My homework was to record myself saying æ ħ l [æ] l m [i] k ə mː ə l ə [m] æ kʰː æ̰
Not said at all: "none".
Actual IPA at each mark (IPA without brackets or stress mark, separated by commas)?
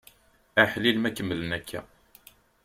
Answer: i, æ, n